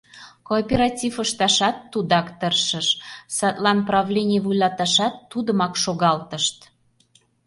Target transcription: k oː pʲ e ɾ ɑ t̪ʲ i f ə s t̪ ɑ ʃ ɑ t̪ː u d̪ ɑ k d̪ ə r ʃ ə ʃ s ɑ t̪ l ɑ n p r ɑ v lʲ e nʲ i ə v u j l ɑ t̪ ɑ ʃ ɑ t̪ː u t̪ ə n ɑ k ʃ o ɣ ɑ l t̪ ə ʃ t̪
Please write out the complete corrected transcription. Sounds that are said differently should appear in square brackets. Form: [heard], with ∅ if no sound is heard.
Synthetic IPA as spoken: k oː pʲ e ɾ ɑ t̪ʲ i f ə [ʃ] t̪ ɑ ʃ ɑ t̪ː u d̪ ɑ k [t̪] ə r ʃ ə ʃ s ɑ t̪ l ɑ n p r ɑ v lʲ e nʲ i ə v u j l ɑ t̪ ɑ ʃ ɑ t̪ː u [d̪] ə [m] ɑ k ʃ o ɣ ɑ l t̪ ə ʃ t̪